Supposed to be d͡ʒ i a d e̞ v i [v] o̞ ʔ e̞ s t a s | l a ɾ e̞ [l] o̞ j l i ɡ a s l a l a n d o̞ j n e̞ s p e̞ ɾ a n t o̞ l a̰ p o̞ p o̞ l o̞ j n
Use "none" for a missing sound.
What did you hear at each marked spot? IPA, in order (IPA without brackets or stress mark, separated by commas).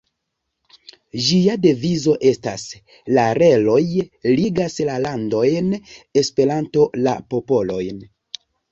z, l